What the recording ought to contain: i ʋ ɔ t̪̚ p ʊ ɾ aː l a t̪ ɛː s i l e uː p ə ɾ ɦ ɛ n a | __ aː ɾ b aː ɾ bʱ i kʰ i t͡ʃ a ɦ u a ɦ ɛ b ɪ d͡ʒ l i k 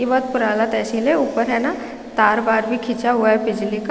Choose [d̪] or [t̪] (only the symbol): t̪